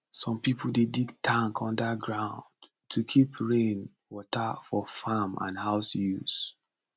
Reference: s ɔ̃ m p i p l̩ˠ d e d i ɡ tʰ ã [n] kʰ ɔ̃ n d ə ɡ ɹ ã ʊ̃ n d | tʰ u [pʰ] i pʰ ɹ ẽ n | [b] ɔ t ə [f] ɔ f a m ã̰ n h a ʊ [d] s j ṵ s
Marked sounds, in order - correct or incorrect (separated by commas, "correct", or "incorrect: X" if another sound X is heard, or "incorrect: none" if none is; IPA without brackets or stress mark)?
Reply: incorrect: ŋ, incorrect: kʰ, incorrect: w, correct, incorrect: none